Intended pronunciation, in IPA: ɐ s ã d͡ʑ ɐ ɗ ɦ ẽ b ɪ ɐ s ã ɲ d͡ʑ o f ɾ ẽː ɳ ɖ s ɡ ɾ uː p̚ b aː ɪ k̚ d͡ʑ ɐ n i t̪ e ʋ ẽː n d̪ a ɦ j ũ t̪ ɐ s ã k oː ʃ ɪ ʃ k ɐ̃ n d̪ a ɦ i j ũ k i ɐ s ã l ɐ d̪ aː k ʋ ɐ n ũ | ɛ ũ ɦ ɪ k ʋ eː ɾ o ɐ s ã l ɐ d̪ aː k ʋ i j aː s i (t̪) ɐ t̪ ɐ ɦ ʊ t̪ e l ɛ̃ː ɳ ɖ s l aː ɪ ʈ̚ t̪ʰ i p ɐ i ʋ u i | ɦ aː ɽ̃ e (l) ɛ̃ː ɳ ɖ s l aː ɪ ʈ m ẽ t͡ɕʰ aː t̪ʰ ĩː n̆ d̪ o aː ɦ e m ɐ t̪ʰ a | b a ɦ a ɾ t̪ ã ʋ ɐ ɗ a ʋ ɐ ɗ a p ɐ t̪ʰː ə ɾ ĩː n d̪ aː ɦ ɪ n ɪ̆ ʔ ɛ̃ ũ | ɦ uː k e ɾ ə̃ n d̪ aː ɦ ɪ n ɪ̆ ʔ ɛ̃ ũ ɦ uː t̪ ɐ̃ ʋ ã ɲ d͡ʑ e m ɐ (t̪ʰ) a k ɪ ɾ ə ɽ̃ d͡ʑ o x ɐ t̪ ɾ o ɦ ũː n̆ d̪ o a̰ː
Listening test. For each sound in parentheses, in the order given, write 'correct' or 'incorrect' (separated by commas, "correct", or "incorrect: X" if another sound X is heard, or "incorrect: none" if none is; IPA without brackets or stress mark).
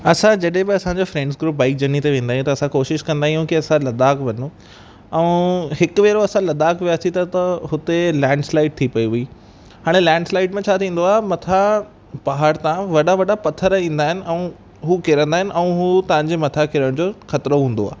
correct, correct, correct